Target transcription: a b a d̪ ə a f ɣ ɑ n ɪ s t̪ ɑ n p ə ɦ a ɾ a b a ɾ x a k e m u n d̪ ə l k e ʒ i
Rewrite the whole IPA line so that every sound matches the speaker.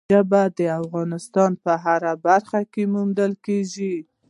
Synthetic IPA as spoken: a b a d̪ ə a f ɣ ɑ n ɪ s t̪ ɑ n p ə ɦ a ɾ a b a ɾ x a k e m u n d̪ ə l k e ʒ i